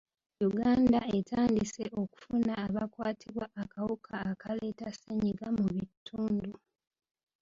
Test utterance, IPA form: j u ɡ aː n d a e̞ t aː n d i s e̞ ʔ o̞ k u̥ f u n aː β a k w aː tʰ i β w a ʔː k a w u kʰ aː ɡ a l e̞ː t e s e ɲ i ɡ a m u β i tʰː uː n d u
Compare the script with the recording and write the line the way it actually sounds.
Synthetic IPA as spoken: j u ɡ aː n d a e̞ t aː n d i s e̞ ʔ o̞ k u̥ f u n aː β a k w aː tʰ i β w a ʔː k a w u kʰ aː k a l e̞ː t a s e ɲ i ɡ a m u β i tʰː uː n d u